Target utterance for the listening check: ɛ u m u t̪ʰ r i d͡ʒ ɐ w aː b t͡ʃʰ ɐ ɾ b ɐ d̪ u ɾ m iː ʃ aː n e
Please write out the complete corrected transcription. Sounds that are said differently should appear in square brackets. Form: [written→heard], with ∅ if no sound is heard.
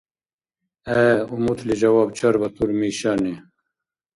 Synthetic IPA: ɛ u m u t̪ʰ [r→l] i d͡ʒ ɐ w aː b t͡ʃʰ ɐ ɾ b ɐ [d̪→t̪] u ɾ m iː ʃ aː n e